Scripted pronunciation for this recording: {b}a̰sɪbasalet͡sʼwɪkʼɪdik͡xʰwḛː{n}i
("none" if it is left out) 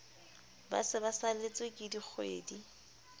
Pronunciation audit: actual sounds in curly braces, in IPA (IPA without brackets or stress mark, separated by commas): b, d